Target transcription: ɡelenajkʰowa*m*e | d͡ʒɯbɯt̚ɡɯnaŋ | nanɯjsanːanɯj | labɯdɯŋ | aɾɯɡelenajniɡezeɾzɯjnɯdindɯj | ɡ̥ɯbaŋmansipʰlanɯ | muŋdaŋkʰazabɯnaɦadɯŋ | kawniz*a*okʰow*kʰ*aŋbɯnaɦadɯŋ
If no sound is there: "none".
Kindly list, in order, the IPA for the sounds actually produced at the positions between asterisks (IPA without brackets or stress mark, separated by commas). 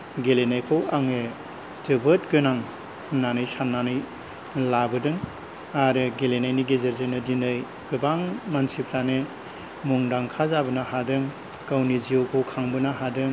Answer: ŋ, i, kʰ